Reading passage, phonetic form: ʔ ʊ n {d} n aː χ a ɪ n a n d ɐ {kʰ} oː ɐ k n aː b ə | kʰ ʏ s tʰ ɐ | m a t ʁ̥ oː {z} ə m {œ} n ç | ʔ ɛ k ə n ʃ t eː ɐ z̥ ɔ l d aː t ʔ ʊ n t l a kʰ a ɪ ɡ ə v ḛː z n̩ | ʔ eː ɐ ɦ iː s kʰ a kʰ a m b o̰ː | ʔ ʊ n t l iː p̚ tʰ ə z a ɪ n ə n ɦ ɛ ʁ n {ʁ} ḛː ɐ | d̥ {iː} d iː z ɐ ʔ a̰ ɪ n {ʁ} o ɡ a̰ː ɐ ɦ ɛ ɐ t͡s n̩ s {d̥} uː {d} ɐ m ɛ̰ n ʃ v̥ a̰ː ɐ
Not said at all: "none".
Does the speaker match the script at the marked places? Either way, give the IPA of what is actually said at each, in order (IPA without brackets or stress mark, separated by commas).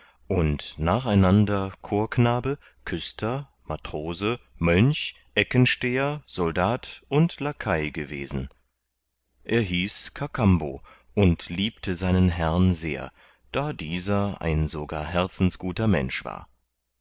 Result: t, kʰ, z, œ, z, aː, z, ɡ̥, t